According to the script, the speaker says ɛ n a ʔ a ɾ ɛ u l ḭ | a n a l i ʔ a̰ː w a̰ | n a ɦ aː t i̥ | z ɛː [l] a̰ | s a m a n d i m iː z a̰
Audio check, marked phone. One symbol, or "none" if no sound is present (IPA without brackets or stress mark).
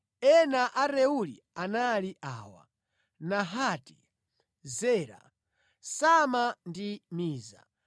ɾ